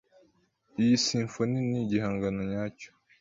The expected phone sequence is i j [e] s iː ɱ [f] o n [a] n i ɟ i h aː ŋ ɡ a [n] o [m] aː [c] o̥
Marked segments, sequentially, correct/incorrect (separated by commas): incorrect, correct, incorrect, correct, incorrect, correct